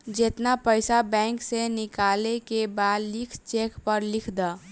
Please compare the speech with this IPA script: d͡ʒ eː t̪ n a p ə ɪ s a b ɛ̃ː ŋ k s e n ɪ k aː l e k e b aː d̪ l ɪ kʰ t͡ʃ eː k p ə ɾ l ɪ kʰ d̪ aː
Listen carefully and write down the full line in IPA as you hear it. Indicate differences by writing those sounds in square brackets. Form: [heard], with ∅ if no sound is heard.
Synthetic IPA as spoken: d͡ʒ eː t̪ n a p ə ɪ s a b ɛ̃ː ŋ k s e n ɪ k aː l e k e b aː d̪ l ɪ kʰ t͡ʃ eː k p ə ɾ l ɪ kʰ d̪ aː